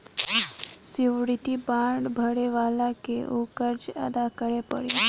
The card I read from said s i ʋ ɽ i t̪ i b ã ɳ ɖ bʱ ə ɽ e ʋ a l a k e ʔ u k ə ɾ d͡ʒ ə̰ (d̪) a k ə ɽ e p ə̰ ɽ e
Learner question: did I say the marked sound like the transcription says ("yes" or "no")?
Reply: yes